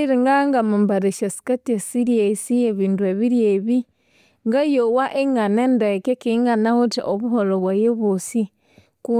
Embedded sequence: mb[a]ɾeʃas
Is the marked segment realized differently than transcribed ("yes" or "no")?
no